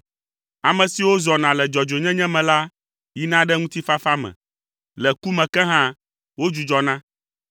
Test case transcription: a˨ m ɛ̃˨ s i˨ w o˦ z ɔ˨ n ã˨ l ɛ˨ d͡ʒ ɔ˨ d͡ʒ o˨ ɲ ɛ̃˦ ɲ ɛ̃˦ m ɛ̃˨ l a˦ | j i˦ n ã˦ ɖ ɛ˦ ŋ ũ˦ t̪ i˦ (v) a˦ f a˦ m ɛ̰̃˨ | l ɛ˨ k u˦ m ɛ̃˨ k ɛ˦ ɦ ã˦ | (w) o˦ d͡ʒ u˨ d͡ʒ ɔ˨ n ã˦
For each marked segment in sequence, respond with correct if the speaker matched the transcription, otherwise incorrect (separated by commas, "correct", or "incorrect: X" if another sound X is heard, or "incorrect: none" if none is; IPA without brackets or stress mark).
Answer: incorrect: f, correct